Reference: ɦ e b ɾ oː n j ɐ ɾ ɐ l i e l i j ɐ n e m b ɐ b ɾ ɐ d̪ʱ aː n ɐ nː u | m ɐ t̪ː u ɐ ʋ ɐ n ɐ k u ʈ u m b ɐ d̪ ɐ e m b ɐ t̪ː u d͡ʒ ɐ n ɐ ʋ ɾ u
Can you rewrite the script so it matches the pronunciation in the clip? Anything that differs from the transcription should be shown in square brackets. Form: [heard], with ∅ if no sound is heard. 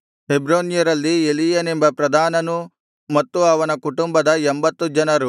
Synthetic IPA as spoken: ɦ e b ɾ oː n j ɐ ɾ ɐ [lː] i e l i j ɐ n e m b ɐ [p] ɾ ɐ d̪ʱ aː n ɐ [n] u | m ɐ t̪ː u ɐ ʋ ɐ n ɐ k u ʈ u m b ɐ d̪ ɐ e m b ɐ t̪ː u d͡ʒ ɐ n ɐ [∅] ɾ u